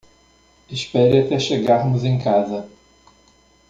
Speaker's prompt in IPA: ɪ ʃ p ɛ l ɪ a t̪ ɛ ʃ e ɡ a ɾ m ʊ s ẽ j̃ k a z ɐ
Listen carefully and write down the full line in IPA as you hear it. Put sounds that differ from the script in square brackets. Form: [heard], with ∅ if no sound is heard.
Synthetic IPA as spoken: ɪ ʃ p ɛ [ɾ] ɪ a t̪ ɛ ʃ e ɡ a ɾ m ʊ [z] ẽ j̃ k a z ɐ